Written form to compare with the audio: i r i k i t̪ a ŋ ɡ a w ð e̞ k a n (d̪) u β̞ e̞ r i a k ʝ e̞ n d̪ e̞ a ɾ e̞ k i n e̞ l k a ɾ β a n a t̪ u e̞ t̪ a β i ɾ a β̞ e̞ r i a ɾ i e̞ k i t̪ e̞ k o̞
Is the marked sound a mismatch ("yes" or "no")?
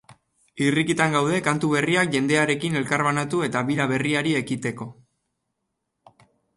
yes